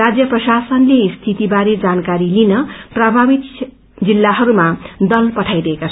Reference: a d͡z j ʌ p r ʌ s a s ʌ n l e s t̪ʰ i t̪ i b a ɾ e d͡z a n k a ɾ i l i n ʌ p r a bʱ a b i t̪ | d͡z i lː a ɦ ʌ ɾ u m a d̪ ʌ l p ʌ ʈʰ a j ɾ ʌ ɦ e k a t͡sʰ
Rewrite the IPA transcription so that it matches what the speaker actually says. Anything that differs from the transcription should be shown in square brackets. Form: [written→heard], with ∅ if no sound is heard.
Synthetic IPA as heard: a d͡z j ʌ p r ʌ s a s ʌ n l e s t̪ʰ i t̪ i b a ɾ e d͡z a n k a ɾ i l i n ʌ p r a bʱ a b i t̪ | d͡z i lː a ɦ ʌ ɾ u m a d̪ ʌ l p ʌ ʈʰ a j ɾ ʌ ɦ e k a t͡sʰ